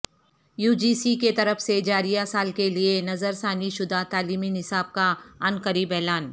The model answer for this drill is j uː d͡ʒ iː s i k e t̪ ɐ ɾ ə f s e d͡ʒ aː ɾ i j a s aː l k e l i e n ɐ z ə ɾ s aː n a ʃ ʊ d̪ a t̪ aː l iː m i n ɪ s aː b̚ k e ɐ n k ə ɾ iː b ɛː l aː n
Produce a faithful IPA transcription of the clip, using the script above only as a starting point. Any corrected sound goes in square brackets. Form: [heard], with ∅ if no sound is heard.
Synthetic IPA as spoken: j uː d͡ʒ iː s i k e t̪ ɐ ɾ ə f s e d͡ʒ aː ɾ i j a s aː l k e l i e n ɐ z ə ɾ s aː n [i] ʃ ʊ d̪ a t̪ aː l iː m i n ɪ s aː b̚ k [a] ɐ n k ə ɾ iː b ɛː l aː n